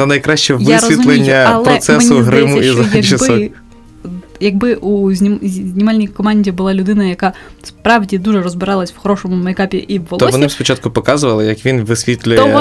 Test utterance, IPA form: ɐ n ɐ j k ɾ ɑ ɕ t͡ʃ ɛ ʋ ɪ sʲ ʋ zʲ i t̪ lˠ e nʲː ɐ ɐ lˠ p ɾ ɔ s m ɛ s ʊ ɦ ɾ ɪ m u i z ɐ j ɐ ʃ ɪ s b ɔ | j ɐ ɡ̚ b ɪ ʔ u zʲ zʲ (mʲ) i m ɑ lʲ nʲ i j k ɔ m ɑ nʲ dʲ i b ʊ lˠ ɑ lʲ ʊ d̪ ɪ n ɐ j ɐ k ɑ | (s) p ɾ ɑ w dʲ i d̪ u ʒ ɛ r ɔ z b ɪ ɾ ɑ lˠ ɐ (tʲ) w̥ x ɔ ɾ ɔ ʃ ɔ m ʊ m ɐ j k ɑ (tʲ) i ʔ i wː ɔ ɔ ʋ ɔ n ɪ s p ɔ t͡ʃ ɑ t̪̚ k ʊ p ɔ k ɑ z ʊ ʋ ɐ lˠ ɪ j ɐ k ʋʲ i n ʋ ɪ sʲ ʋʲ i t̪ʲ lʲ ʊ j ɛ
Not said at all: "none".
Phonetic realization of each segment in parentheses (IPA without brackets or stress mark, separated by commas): nʲ, s, sʲ, pʲ